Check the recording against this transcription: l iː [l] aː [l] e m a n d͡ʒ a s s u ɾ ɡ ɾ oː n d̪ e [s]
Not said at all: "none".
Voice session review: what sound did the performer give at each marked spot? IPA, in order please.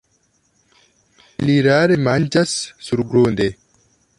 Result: ɾ, ɾ, none

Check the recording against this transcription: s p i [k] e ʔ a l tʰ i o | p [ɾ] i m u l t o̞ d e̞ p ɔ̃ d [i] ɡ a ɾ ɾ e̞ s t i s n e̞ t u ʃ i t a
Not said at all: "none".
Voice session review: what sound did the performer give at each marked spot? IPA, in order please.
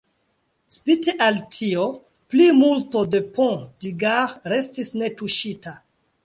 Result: t, l, i

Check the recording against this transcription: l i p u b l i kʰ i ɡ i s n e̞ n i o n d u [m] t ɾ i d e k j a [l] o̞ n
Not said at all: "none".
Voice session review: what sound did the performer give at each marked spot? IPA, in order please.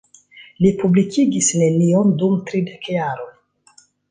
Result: m, ɾ

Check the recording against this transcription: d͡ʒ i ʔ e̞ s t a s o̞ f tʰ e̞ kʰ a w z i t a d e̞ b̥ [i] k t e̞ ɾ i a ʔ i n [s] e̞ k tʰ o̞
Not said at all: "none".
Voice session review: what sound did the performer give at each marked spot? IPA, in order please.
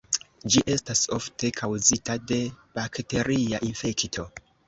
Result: a, f

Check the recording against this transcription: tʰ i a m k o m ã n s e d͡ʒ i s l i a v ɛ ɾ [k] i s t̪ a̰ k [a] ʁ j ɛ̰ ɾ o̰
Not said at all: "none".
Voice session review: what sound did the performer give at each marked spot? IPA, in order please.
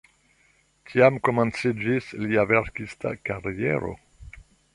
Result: k, a

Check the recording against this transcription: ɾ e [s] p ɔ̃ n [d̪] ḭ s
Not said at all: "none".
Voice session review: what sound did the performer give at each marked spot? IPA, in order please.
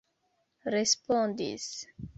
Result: s, d̪

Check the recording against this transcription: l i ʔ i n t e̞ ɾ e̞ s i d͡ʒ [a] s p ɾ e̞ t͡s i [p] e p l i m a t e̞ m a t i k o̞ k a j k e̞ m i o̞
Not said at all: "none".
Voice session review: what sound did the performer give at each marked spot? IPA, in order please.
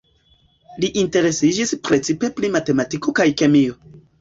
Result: i, p

